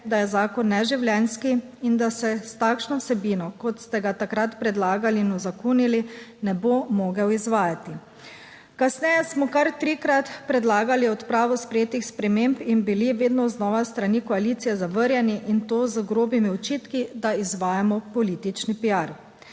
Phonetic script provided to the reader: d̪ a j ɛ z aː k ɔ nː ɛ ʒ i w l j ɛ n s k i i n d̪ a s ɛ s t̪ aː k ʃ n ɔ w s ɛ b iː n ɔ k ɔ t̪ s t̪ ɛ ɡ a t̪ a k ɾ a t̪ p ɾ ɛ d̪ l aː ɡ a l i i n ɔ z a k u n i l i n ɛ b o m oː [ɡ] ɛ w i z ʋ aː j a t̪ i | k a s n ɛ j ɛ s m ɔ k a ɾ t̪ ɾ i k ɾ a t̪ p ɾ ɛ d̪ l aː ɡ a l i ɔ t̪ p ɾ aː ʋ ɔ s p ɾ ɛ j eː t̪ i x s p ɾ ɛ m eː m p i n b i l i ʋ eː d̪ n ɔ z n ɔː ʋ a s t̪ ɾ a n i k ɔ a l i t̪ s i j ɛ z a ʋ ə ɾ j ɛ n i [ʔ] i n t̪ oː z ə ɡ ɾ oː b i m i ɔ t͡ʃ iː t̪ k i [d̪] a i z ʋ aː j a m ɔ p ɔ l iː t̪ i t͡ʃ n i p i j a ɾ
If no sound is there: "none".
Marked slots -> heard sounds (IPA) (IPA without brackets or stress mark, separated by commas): ɡ, ʔ, d̪